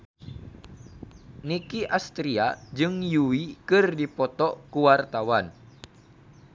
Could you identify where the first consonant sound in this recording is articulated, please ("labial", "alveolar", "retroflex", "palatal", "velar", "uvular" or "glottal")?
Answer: alveolar